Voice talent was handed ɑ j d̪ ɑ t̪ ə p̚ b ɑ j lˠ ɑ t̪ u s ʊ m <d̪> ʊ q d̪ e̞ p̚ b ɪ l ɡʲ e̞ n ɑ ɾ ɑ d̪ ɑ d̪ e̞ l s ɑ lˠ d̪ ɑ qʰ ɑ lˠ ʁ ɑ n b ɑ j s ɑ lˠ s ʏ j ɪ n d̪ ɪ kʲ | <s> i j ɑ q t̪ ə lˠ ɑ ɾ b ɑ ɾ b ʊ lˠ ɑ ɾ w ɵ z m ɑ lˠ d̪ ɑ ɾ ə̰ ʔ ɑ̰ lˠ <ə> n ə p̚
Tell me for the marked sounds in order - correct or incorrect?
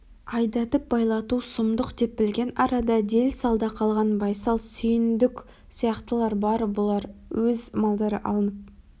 correct, correct, correct

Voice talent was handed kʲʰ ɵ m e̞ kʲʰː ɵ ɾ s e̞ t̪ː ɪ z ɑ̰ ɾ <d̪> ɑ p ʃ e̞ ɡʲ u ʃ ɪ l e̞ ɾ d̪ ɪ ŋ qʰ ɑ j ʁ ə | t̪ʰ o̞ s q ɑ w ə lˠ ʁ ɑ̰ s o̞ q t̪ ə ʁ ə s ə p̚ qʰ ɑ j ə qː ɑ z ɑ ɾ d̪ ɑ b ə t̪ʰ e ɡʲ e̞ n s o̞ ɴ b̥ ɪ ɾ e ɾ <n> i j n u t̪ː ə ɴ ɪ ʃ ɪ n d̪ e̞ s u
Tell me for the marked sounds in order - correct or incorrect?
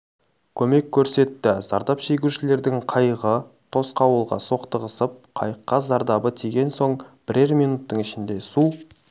correct, incorrect: m

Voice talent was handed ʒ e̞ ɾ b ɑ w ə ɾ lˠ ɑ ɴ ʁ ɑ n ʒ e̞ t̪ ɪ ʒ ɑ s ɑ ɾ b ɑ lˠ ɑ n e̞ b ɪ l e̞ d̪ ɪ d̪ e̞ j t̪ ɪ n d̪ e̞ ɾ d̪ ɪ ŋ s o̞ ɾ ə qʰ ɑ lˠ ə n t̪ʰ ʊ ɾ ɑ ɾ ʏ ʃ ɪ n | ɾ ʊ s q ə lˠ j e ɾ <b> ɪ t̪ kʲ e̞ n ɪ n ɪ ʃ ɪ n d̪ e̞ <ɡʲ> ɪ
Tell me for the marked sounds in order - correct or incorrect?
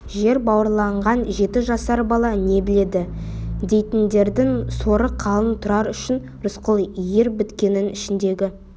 correct, correct

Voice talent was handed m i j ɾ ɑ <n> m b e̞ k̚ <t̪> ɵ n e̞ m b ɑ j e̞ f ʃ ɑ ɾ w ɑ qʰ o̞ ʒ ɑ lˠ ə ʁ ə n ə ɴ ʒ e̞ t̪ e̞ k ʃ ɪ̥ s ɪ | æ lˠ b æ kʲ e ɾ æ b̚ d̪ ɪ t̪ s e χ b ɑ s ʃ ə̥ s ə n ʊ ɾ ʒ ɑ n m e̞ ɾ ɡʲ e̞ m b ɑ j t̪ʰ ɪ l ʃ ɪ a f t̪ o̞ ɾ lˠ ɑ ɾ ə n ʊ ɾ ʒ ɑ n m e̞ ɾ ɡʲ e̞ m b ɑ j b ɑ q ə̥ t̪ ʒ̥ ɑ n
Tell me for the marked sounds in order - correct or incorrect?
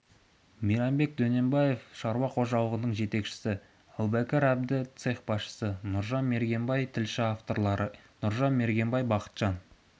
incorrect: none, incorrect: d̪

